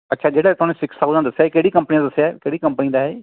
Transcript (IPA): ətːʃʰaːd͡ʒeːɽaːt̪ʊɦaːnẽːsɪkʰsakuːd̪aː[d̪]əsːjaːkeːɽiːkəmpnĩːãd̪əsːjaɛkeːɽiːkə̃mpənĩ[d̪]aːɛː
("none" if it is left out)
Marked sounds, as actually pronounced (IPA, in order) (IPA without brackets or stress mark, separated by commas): d̪, d̪